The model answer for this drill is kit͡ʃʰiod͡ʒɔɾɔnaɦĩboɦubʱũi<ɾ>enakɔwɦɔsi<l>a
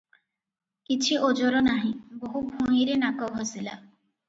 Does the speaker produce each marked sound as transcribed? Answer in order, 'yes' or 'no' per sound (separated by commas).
yes, yes